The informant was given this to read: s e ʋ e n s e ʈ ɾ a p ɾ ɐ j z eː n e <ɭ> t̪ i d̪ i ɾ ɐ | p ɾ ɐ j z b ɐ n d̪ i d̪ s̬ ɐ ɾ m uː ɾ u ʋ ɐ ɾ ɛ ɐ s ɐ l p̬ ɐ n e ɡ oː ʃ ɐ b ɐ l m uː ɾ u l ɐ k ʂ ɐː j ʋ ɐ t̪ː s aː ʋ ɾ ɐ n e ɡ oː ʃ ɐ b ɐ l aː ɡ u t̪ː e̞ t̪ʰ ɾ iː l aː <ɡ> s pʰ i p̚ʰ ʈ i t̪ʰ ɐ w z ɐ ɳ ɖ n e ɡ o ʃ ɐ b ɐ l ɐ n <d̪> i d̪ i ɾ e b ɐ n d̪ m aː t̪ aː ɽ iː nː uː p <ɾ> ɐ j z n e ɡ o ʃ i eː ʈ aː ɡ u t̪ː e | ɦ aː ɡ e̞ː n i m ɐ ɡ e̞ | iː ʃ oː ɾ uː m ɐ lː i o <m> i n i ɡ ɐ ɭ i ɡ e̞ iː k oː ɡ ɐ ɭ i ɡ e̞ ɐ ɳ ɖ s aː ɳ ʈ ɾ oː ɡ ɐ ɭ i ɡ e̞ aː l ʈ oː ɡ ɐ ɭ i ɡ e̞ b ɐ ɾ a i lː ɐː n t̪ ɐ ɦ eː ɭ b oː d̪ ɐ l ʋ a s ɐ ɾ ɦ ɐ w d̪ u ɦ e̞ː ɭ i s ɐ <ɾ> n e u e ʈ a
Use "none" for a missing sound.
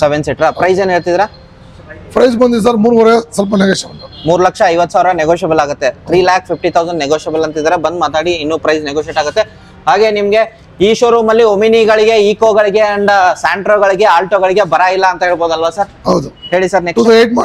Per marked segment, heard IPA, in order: ɭ, k, t̪, ɾ, m, ɾ

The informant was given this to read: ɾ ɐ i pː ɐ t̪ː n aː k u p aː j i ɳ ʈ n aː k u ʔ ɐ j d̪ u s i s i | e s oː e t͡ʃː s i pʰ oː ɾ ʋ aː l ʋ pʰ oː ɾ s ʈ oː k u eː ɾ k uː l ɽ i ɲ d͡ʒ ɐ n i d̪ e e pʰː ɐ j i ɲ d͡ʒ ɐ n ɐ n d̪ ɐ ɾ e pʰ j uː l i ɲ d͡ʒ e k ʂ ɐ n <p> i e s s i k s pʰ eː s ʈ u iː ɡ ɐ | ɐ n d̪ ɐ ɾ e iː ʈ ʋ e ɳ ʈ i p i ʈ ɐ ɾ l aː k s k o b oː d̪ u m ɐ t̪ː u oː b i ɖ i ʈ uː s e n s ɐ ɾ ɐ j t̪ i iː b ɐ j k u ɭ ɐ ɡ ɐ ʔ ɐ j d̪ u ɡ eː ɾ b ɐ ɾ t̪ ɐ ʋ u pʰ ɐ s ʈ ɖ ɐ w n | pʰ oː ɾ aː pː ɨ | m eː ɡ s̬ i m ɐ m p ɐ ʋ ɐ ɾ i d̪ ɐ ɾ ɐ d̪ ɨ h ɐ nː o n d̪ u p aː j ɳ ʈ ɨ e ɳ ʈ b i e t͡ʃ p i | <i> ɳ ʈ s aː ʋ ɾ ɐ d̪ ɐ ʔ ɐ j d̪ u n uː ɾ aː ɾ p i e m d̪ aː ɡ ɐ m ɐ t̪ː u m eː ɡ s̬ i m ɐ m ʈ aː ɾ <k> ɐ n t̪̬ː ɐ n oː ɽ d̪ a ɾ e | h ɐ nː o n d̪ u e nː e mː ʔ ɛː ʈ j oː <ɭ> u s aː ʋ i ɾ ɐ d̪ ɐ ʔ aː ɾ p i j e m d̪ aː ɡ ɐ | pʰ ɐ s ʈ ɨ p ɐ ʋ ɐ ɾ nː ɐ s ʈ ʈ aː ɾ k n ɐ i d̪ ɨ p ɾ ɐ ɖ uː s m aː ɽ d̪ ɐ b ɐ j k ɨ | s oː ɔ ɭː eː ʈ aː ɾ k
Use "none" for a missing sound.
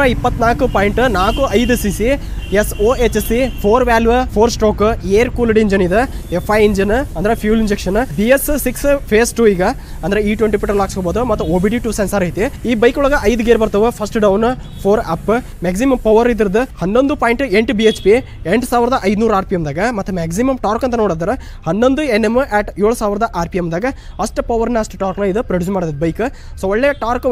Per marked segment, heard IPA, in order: b, e, k, ɭ

